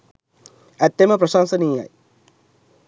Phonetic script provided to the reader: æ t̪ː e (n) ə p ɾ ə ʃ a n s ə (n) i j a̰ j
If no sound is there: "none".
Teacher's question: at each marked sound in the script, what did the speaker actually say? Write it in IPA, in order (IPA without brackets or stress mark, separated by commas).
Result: m, n